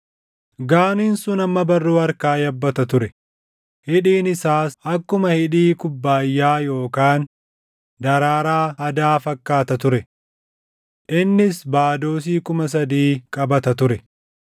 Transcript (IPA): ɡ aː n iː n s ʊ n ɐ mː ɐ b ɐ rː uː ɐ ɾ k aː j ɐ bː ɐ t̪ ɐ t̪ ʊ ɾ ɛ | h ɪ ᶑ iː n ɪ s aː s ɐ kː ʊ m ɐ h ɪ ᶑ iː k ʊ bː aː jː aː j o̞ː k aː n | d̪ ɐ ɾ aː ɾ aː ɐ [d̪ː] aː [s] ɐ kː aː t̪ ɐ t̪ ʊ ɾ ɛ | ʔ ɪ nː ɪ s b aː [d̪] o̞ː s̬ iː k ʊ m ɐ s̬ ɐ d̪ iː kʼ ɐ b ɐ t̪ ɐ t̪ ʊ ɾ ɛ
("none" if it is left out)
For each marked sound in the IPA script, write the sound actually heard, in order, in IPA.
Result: d̪, f, d̪

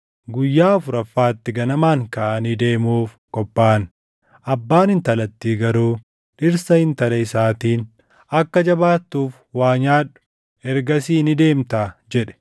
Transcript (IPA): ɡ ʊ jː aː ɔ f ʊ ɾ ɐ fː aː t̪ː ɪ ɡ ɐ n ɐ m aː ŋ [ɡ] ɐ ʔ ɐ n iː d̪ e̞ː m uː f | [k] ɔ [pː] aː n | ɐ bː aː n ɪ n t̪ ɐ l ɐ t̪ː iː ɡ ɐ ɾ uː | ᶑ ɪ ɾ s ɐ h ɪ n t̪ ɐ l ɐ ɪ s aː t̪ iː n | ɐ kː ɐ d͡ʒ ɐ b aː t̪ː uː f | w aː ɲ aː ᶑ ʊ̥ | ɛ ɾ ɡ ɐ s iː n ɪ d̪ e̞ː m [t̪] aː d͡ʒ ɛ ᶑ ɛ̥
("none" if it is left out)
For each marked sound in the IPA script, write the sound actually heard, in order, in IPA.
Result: k, k, pː, t̪

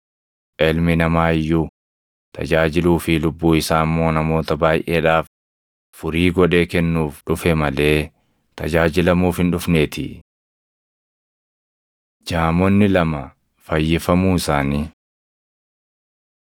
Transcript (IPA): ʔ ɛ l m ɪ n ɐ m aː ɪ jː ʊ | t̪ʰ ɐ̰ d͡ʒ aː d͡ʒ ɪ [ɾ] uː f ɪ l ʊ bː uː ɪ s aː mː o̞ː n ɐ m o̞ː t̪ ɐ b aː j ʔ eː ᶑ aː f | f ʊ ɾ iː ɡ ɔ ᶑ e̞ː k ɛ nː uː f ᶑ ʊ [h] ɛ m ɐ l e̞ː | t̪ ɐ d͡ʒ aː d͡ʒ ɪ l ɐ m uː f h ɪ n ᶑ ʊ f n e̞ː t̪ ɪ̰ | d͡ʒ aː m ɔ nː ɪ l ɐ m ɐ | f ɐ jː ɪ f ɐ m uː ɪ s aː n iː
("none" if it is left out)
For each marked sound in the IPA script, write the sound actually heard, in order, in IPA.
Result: l, f

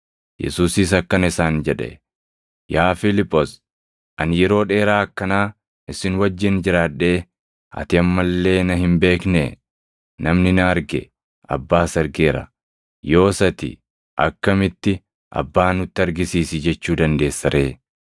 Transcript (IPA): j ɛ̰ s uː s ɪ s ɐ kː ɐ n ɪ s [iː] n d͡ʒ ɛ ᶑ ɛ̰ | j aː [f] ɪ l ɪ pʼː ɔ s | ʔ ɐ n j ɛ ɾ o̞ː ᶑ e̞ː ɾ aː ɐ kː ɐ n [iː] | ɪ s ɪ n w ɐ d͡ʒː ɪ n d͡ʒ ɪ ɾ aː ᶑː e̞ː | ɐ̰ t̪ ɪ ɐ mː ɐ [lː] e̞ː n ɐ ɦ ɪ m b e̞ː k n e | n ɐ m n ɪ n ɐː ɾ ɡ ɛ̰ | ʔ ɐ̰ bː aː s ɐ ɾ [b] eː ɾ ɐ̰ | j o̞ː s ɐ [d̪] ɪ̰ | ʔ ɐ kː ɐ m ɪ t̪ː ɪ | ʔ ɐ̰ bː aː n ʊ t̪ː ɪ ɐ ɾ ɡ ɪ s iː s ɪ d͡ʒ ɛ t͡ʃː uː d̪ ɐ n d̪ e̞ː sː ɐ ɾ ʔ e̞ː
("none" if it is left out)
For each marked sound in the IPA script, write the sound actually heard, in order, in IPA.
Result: aː, f, aː, lː, ɡ, t̪

